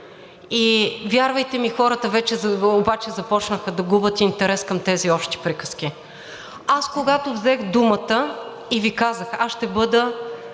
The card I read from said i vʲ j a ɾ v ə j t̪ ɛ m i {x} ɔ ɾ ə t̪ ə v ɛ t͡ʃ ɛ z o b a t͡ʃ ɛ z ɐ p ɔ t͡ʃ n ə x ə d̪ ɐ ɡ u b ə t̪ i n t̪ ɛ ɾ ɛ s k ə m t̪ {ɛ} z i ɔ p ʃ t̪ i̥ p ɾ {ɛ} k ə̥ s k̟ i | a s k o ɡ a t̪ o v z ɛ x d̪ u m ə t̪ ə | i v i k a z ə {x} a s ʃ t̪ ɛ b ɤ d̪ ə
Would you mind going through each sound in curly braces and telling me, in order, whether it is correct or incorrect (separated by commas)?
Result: correct, correct, incorrect, correct